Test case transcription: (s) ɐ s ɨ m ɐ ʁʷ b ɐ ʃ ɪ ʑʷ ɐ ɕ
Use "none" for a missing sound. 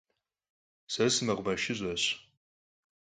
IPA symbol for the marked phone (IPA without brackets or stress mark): s